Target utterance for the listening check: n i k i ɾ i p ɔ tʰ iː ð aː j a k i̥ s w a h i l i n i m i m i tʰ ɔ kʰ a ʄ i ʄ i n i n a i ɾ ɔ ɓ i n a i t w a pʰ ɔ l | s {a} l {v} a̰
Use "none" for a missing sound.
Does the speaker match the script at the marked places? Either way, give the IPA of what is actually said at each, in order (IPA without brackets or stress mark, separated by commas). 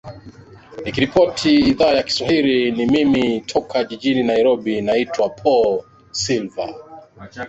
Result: i, v